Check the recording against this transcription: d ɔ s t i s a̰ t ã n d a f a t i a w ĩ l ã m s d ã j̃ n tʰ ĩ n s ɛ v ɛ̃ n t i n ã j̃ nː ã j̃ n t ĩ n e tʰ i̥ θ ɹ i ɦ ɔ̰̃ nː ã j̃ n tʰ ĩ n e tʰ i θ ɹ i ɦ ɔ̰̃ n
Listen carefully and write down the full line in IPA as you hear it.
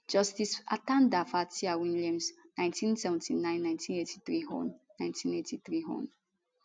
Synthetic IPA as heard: d͡ʒ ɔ s t i s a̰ t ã n d a f a t i a w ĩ l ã m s n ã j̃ n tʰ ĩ n s ɛ v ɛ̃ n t i n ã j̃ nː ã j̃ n t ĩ n e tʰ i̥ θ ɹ i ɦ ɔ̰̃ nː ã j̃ n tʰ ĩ n e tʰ i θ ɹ i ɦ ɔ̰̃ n